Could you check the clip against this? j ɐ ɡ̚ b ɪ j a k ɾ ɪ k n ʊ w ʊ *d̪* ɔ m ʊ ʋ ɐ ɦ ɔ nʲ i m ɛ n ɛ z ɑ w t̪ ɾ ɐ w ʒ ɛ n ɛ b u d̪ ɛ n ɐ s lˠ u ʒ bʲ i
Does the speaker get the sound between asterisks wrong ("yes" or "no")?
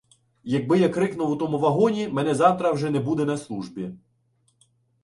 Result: yes